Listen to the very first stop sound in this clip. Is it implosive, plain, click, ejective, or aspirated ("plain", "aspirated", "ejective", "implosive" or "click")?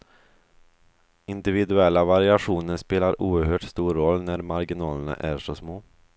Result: plain